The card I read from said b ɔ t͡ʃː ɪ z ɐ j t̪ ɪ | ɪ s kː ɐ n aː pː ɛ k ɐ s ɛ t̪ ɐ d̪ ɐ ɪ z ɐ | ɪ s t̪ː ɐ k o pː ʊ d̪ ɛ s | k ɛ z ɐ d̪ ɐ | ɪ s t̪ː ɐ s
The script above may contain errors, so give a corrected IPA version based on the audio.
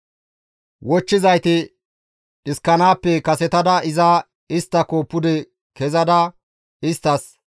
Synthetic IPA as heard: w ɔ t͡ʃː ɪ z ɐ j t̪ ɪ | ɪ s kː ɐ n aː pː ɛ k ɐ s ɛ t̪ ɐ d̪ ɐ ɪ z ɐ | ɪ s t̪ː ɐ k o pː ʊ d̪ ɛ | k ɛ z ɐ d̪ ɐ | ɪ s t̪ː ɐ s